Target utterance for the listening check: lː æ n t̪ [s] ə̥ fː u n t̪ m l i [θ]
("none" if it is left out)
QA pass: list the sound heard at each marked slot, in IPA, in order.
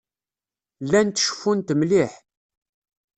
ʃ, ħ

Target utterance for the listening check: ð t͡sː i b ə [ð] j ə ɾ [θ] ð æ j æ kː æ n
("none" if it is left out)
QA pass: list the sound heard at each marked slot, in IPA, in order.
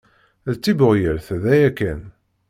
ʁ, θ

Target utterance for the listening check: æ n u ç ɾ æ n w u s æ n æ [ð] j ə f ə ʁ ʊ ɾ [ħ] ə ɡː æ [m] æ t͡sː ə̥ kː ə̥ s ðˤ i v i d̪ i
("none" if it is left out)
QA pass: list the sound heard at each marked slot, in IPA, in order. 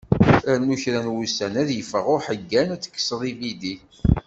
ð, ħ, n

